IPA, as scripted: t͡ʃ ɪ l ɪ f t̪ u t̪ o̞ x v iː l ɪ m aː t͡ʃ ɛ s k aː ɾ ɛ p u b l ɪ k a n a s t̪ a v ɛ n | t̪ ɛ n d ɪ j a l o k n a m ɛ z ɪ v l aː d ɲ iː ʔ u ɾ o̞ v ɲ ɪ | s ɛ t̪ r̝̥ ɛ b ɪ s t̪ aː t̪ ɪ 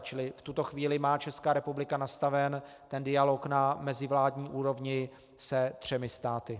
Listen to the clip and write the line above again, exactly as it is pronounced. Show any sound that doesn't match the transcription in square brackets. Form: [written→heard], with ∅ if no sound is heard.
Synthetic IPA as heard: t͡ʃ ɪ l ɪ f t̪ u t̪ o̞ x v iː l ɪ m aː t͡ʃ ɛ s k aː ɾ ɛ p u b l ɪ k a n a s t̪ a v ɛ n | t̪ ɛ n d ɪ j a l o k n a m ɛ z ɪ v l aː d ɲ iː ʔ [u→uː] ɾ o̞ v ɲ ɪ | s ɛ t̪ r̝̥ ɛ [b→m] ɪ s t̪ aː t̪ ɪ